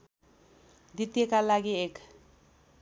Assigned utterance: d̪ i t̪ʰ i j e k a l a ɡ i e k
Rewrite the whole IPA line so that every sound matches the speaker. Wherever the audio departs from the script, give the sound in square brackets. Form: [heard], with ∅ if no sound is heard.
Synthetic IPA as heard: d̪ i [t̪] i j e k a l a ɡ i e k